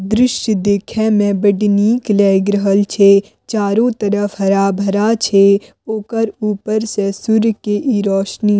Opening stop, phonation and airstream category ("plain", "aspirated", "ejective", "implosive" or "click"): plain